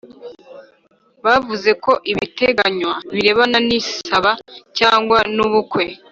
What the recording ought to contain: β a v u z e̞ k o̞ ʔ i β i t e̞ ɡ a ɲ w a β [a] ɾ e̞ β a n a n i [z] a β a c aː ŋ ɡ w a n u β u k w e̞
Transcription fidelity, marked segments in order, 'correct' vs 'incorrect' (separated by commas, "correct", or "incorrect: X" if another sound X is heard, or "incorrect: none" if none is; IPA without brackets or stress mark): incorrect: i, incorrect: s